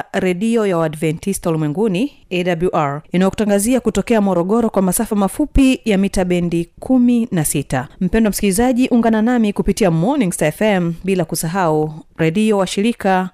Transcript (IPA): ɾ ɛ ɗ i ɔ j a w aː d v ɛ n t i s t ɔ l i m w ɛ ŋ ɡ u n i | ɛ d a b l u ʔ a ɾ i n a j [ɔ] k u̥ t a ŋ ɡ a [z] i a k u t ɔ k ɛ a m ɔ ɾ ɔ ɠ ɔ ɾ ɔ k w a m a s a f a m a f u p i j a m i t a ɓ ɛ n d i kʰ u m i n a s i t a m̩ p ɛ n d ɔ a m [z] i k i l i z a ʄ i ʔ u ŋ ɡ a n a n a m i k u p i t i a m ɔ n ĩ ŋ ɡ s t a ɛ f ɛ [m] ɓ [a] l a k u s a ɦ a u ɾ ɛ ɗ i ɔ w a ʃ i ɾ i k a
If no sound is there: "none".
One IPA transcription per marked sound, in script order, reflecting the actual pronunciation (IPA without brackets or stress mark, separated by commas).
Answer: ɔ, z, s, m, i